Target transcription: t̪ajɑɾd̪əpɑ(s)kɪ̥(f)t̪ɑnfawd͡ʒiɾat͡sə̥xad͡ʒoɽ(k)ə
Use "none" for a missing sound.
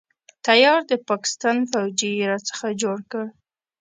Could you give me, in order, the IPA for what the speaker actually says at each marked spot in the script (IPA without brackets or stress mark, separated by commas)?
none, s, k